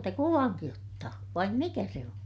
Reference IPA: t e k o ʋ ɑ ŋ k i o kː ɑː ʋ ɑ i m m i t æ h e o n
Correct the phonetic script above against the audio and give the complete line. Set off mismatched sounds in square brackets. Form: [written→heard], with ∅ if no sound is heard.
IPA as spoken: t e k [o→u] ʋ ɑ ŋ k i o [kː→tː] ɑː ʋ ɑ i m m i [t→k] æ [h→s] e o n